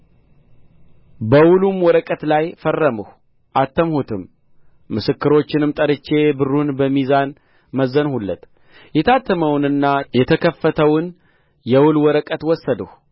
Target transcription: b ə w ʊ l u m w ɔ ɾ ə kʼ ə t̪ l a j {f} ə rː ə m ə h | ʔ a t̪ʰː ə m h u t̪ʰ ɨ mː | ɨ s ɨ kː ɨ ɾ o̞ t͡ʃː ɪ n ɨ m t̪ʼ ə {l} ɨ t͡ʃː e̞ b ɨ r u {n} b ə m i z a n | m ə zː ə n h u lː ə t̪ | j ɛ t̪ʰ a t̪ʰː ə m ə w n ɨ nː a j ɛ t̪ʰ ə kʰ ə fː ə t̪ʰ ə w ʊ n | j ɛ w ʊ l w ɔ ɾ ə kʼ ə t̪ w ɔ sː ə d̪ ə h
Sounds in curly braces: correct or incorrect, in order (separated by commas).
correct, incorrect, correct